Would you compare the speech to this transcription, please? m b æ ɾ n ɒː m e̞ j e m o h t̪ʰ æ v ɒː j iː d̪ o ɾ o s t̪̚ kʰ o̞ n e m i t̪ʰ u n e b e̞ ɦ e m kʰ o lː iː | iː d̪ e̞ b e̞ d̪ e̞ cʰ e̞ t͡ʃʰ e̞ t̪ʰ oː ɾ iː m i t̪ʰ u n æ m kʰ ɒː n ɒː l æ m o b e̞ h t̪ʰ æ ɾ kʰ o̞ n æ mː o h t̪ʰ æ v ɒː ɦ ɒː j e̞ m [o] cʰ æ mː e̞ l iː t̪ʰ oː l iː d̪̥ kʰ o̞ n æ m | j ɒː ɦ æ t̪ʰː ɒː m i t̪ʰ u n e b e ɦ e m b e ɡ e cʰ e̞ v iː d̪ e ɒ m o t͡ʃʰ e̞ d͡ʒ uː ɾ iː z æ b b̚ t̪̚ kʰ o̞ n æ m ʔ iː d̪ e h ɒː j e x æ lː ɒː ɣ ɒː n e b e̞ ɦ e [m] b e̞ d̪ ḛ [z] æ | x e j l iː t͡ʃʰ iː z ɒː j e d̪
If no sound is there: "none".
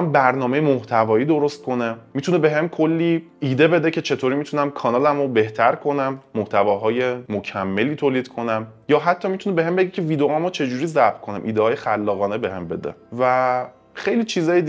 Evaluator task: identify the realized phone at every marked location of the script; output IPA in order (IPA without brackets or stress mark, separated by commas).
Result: o, m, v